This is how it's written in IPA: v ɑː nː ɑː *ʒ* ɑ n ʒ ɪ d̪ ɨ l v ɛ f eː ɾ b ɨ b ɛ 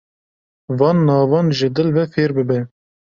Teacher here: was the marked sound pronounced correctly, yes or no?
no